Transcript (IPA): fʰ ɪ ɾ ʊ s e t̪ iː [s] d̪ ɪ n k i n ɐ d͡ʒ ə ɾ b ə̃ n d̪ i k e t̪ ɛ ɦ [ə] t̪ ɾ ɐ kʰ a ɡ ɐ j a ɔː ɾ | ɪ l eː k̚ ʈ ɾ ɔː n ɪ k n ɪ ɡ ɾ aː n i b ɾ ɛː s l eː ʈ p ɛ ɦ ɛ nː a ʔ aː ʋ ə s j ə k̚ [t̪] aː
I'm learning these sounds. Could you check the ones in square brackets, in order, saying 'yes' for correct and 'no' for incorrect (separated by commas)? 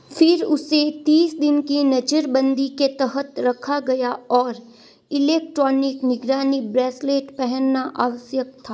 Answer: yes, yes, no